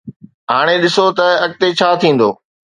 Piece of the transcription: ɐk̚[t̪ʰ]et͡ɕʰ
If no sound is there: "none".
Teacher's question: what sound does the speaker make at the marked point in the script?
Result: t̪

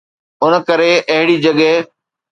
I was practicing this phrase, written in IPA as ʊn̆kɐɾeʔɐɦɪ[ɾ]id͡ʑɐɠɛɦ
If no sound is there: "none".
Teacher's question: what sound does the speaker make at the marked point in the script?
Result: ɽ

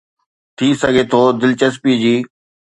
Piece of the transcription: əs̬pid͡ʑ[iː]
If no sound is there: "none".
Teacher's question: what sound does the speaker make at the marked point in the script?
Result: iː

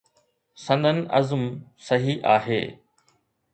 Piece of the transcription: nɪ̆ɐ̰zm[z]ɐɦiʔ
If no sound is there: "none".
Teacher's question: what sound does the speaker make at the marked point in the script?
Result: s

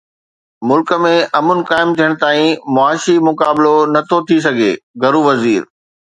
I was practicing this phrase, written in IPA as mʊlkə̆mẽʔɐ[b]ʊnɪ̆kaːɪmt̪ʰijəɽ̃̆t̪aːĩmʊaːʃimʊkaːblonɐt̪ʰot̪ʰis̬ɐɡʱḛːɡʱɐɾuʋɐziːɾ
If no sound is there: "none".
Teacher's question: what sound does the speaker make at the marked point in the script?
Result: m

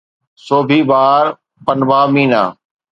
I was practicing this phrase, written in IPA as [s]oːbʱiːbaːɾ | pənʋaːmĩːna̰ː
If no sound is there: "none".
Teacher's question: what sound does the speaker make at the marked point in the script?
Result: s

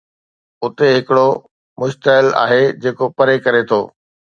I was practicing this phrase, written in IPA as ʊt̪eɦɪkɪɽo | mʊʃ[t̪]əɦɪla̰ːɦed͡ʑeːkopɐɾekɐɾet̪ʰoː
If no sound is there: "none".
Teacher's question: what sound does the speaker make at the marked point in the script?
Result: t̪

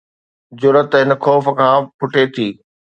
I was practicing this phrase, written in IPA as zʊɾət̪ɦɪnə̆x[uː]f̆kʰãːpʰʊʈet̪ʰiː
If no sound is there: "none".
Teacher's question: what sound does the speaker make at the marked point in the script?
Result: ɔː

